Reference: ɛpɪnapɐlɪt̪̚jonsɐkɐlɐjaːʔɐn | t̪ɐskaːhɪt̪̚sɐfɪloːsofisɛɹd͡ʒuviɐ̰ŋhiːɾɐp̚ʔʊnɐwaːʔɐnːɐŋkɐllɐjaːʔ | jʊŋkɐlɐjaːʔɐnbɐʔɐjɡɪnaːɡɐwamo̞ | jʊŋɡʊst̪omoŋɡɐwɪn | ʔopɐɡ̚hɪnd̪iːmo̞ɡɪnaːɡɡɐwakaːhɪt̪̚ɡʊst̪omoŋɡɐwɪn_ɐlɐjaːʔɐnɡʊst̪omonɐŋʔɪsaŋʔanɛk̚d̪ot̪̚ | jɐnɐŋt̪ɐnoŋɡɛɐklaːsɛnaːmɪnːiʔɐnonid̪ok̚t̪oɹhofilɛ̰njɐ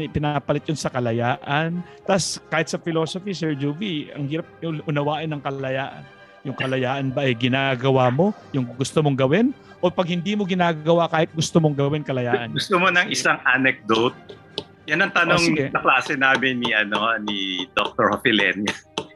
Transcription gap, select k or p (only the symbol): k